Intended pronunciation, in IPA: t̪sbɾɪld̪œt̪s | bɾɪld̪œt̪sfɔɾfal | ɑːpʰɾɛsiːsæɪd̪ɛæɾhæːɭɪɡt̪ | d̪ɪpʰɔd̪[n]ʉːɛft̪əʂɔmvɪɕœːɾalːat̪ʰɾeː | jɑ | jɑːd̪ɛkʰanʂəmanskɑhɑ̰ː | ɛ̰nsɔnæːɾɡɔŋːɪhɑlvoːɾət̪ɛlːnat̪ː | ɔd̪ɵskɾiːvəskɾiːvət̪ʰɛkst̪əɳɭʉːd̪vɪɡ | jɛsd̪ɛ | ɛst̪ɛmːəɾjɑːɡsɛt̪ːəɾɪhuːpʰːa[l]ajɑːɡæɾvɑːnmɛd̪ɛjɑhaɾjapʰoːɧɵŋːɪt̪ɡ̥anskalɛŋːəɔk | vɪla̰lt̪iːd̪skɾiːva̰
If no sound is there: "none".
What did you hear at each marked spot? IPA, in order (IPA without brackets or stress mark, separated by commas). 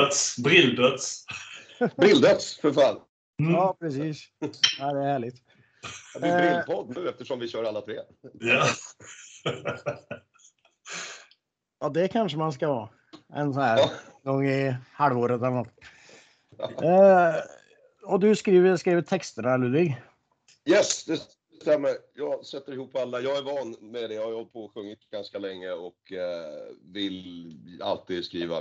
n, lː